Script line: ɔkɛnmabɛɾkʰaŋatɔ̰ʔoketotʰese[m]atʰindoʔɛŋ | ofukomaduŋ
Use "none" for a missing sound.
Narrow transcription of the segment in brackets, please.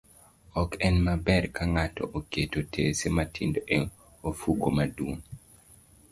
m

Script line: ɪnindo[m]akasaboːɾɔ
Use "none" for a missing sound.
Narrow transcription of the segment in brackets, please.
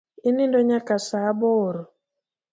ɲ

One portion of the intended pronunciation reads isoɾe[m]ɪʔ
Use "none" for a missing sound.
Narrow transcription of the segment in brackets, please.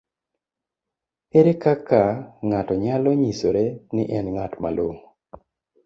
n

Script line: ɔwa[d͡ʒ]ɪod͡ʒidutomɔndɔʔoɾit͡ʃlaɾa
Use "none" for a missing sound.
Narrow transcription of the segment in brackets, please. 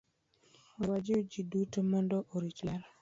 d͡ʒ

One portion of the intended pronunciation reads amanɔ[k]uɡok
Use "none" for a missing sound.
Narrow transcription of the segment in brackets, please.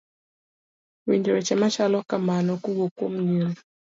k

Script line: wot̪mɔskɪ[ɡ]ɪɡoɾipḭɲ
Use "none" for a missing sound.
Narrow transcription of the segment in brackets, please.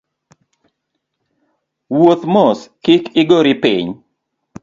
k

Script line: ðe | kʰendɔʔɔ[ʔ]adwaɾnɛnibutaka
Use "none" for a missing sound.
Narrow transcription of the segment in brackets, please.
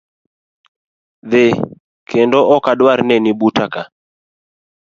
k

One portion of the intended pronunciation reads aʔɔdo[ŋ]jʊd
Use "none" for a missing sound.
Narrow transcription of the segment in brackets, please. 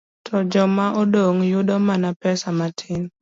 ŋ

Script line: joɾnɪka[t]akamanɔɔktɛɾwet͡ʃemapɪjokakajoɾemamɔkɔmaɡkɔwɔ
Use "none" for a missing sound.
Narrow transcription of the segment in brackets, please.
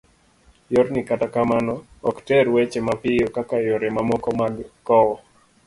t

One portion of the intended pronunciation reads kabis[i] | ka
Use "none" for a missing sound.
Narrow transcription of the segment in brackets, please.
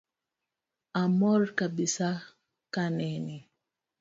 a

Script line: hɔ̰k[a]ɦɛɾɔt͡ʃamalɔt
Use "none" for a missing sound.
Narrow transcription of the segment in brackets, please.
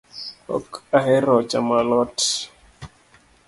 a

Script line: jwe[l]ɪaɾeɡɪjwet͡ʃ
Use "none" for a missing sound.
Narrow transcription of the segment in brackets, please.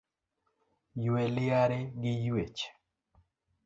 l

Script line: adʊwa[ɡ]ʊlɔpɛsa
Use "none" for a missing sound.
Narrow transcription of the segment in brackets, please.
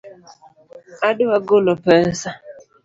ɡ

